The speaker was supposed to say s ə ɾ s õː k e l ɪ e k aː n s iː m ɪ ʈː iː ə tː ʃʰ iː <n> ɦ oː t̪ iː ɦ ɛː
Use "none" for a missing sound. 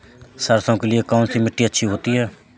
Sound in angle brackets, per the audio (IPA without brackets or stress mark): none